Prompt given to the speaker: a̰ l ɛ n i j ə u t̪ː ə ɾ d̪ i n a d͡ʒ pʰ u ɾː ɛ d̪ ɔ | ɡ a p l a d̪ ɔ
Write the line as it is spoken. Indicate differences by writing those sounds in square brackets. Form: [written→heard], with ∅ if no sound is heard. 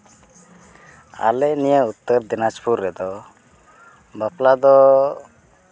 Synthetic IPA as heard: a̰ l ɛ n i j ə u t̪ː ə ɾ d̪ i n a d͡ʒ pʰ u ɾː ɛ d̪ ɔ | [ɡ→b] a p l a d̪ ɔ